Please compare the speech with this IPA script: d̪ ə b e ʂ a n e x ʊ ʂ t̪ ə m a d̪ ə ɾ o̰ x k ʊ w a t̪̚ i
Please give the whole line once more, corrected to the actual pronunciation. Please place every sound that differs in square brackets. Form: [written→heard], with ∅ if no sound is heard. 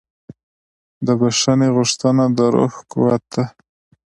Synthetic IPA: d̪ ə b [e→a] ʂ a n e [x→ɣ] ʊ ʂ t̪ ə [m→n] a d̪ ə ɾ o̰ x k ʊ w a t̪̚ [i→a]

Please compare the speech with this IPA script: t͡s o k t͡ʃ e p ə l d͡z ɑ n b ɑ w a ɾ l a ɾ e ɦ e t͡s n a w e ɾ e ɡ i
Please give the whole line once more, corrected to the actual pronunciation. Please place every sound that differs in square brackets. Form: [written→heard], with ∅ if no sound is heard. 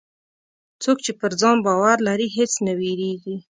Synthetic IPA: t͡s o k t͡ʃ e p ə [l→ɾ] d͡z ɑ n b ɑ w a ɾ l a ɾ [e→i] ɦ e t͡s n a w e ɾ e ɡ i

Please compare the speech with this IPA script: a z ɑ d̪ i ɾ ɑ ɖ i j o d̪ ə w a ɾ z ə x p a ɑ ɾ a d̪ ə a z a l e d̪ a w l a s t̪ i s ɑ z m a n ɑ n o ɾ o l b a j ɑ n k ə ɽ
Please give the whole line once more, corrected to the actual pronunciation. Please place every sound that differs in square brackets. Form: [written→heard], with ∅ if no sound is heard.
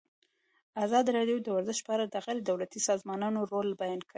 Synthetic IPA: a z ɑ d̪ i ɾ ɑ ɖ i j o d̪ ə w a ɾ z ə [x→ʃ] p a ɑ ɾ a d̪ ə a [z→ɣ] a l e d̪ a w l a [s→∅] t̪ i s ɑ z m [a→ɑ] n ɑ n o ɾ o l b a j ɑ n k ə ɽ

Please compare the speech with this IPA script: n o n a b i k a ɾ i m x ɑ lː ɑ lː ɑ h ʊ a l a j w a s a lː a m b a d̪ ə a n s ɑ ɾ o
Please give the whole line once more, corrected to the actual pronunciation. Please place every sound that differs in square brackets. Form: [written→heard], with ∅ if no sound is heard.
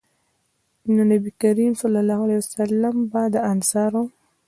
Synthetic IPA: n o n a b i k a ɾ i m [x→s] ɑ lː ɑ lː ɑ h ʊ a l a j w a s a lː a m b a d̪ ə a n s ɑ ɾ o

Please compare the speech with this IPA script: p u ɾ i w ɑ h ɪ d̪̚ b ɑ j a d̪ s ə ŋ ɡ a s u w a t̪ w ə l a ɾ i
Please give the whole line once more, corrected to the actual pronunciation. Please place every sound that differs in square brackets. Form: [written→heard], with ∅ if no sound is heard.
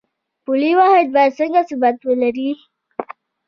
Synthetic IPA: p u [ɾ→l] i w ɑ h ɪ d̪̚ b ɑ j a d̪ s ə ŋ ɡ a s u [w→b] a t̪ w ə l a ɾ i

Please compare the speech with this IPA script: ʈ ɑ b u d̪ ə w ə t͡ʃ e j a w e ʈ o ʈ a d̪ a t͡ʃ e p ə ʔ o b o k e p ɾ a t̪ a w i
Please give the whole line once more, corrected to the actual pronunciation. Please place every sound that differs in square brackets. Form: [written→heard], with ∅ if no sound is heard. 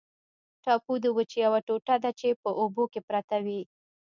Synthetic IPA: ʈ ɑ [b→p] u d̪ ə w ə t͡ʃ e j a w [e→a] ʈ o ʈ a d̪ a t͡ʃ e p ə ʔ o b o k e p ɾ a t̪ a w i

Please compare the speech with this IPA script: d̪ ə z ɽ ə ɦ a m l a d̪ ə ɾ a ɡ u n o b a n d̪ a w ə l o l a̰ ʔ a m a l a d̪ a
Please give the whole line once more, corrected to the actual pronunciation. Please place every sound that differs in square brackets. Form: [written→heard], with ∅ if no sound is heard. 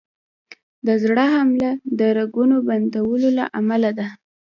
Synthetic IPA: d̪ ə z ɽ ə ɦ a m l a d̪ ə ɾ a ɡ u n o b a n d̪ a w ə l o l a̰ ʔ a m a l a d̪ a

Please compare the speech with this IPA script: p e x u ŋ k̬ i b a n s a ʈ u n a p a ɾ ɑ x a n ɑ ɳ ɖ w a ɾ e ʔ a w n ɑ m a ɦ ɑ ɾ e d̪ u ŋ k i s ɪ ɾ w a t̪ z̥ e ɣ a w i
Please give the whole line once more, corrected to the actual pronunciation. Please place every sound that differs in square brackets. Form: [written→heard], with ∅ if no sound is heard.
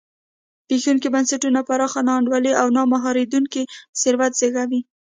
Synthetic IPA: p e x u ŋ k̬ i b a n s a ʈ u n a p a ɾ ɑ x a n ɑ ɳ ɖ w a [ɾ→l] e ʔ a w n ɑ m a ɦ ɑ ɾ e d̪ u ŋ k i s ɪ ɾ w a t̪ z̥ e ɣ a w i

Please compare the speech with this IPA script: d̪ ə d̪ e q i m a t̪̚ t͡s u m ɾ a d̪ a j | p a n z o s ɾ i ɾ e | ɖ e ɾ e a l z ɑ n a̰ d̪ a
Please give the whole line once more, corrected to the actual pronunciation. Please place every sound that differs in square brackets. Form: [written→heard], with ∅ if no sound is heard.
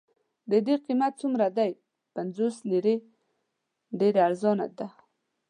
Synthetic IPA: d̪ ə d̪ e q i m a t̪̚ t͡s u m ɾ a d̪ a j | p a n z o s [ɾ→l] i ɾ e | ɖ e ɾ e a [l→ɾ] z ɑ n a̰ d̪ a

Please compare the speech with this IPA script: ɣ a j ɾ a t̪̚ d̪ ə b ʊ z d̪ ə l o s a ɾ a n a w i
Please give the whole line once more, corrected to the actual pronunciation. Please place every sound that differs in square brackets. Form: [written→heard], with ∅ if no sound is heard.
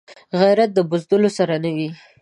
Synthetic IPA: ɣ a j ɾ a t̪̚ d̪ ə b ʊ z d̪ ə l o s a ɾ a n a w i

